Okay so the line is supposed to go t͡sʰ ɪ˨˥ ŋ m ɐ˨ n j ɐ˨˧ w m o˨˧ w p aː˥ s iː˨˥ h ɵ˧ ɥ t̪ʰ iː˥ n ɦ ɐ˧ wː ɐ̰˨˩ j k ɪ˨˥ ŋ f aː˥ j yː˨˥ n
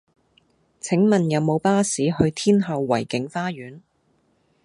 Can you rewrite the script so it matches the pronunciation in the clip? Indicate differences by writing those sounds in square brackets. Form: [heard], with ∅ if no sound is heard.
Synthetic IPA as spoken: t͡sʰ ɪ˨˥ ŋ m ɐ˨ n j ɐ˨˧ w m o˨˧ w p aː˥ s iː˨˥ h ɵ˧ ɥ t̪ʰ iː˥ n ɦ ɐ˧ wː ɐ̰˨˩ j k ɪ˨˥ ŋ f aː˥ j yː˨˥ n